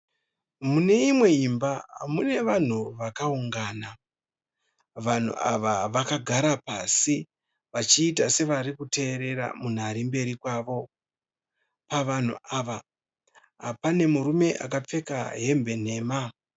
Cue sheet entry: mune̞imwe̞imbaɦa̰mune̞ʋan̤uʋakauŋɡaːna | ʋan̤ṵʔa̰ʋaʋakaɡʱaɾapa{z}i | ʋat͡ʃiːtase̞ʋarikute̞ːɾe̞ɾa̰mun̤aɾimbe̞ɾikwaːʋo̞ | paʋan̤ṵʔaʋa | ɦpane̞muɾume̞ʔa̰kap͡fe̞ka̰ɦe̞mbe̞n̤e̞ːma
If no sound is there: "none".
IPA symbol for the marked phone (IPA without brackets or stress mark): s